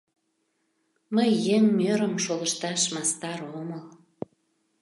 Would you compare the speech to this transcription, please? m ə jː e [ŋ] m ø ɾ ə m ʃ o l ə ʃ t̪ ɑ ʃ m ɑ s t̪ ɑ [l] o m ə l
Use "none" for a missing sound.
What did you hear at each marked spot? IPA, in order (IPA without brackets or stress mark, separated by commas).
ŋ, ɾ